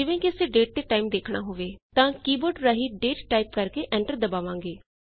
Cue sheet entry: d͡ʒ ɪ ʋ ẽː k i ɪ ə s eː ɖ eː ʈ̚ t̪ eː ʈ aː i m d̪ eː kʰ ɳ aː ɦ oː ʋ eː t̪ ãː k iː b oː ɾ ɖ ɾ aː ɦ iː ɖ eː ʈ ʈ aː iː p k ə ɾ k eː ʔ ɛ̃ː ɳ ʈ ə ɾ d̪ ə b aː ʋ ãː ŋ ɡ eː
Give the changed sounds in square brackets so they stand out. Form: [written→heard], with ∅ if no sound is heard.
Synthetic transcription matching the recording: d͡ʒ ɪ ʋ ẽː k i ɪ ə s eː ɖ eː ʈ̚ t̪ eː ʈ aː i m d̪ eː kʰ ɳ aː ɦ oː ʋ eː t̪ ãː k iː b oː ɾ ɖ ɾ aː ɦ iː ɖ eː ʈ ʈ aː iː p k ə ɾ k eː ʔ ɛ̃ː ɳ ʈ ə ɾ d̪ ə b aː ʋ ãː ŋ ɡ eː

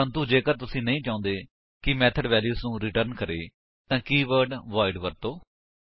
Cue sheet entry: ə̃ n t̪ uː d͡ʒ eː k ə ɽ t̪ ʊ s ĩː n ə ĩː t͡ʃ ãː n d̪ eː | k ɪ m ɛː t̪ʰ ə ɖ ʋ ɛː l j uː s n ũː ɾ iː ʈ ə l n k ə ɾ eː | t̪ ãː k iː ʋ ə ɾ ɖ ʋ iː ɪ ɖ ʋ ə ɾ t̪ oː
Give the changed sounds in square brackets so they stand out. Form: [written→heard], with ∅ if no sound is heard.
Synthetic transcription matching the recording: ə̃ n t̪ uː d͡ʒ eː k ə [ɽ→ɾ] t̪ ʊ s ĩː n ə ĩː t͡ʃ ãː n d̪ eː | k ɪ m ɛː t̪ʰ ə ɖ ʋ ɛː l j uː s n ũː ɾ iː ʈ ə [l→ɾ] n k ə ɾ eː | t̪ ãː k iː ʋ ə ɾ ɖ ʋ [iː→aː] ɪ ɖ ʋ ə ɾ t̪ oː

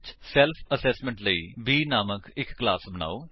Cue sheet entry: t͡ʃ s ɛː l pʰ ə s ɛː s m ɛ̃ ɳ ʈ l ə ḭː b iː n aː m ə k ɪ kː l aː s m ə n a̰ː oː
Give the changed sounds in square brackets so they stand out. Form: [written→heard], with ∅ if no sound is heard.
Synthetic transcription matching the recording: t͡ʃ s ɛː l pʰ ə s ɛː s m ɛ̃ ɳ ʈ l ə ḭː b iː n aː m ə k ɪ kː l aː s [m→b] ə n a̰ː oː

